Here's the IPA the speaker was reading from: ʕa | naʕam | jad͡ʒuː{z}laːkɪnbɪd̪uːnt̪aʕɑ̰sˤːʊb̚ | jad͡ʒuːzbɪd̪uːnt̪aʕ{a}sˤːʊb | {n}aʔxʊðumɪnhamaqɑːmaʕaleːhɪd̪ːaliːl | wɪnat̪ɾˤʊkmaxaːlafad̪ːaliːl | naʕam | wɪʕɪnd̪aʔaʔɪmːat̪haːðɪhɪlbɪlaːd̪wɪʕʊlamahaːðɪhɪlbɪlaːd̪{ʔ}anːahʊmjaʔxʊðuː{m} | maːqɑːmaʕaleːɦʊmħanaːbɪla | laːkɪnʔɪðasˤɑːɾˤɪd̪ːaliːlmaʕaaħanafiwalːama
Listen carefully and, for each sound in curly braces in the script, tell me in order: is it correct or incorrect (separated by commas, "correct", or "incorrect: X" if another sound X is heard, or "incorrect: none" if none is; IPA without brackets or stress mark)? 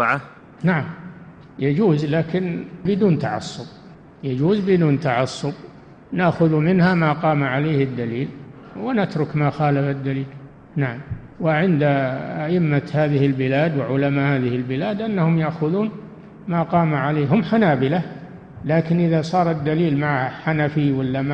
correct, incorrect: ɑ, correct, correct, incorrect: n